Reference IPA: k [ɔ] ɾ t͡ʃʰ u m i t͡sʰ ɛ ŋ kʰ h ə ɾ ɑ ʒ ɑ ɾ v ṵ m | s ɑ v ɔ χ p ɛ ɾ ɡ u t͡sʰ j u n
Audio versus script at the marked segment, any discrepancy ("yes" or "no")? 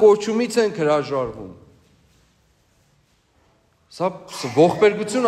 no